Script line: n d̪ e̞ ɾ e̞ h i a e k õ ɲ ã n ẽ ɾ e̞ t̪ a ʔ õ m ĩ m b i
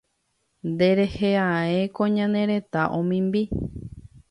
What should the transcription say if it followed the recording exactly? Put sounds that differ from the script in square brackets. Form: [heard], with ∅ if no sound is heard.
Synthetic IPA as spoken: n d̪ e̞ ɾ e̞ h [e] a e k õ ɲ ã n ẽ ɾ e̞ t̪ a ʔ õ m ĩ m b i